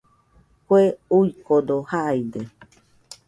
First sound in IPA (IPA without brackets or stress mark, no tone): k